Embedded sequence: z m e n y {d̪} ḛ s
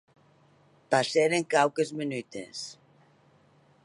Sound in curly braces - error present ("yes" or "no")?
yes